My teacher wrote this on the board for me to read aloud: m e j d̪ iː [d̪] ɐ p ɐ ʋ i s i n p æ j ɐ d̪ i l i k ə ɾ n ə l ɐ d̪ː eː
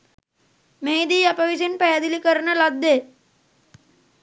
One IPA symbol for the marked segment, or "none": none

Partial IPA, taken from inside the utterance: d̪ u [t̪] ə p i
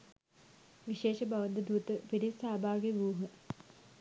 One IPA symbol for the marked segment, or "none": t̪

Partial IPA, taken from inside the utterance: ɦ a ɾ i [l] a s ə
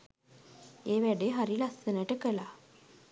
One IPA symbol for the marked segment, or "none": l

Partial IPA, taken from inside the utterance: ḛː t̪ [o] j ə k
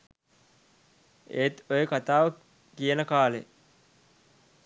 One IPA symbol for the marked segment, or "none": o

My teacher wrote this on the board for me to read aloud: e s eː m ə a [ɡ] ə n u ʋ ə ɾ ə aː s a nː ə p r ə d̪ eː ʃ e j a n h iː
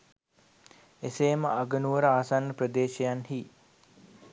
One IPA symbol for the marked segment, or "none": ɡ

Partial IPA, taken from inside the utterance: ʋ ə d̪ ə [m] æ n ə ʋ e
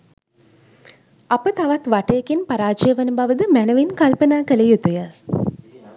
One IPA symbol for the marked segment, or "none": m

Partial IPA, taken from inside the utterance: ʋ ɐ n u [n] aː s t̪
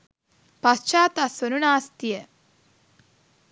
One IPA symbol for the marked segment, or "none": n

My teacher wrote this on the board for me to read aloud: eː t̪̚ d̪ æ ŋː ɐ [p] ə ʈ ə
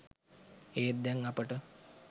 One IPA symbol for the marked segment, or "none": p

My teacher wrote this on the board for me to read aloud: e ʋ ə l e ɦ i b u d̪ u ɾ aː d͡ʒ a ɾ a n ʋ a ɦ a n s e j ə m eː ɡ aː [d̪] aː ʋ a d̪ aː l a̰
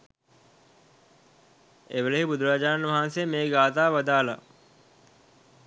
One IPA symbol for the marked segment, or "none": t̪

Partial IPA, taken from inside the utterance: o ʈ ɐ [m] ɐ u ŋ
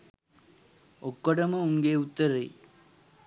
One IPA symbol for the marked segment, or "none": m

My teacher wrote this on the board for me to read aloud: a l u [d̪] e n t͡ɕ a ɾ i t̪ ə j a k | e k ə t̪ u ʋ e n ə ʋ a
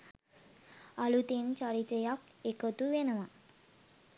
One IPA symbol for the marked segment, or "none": t̪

